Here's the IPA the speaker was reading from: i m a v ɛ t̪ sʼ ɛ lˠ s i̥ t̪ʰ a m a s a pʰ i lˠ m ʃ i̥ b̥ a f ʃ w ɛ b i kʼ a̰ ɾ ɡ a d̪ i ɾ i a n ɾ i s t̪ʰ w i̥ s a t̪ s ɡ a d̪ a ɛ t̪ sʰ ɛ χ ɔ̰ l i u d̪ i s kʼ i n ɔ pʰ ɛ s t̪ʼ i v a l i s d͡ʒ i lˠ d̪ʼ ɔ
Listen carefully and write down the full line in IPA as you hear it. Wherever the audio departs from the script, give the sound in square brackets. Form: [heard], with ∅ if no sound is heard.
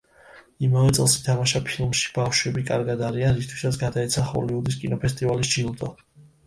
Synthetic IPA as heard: i m a v ɛ t̪ sʼ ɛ lˠ s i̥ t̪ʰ a m a [ʃ] a pʰ i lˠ m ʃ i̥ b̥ a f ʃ w ɛ b i kʼ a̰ ɾ ɡ a d̪ [a] ɾ i a n ɾ i s t̪ʰ w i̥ s a t̪ s ɡ a d̪ a ɛ t̪ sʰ [a] χ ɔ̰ l i u d̪ i s kʼ i n ɔ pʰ ɛ s t̪ʼ i v a l i s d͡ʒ i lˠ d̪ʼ ɔ